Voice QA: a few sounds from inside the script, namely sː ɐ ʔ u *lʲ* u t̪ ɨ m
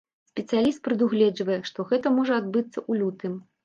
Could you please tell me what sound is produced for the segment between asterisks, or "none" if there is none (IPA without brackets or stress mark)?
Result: lʲ